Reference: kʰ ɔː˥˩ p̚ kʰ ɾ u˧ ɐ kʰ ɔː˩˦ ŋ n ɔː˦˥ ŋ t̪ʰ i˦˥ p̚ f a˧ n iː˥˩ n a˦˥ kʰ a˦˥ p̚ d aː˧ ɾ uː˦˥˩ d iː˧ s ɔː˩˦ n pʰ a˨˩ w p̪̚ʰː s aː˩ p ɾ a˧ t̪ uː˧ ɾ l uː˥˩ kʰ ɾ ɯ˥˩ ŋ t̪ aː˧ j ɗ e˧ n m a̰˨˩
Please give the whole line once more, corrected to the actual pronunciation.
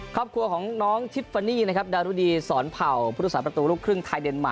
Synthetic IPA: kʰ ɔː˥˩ p̚ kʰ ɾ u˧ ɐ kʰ ɔː˩˦ ŋ n ɔː˦˥ ŋ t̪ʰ i˦˥ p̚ f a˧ n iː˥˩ n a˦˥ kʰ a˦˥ p̚ d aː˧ ɾ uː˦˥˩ d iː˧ s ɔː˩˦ n pʰ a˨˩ w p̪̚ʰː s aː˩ p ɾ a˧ t̪ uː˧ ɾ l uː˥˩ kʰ ɾ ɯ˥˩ ŋ t̪ʰ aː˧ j d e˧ n m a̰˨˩